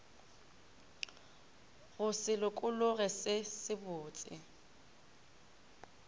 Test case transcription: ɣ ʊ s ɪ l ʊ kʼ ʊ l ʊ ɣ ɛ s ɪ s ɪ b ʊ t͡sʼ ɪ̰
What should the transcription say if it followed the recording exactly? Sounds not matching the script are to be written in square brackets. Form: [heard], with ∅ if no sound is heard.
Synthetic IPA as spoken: ɣ ʊ s ɪ l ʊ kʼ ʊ l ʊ ɣ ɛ s ɪ s ɪ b [ʊː] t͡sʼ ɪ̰